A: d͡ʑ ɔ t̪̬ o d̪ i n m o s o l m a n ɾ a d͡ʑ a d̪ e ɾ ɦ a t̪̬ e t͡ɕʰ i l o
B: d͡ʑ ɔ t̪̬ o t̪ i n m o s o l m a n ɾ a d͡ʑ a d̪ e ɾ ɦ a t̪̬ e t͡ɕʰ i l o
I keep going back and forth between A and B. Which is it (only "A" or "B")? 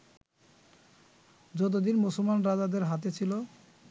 A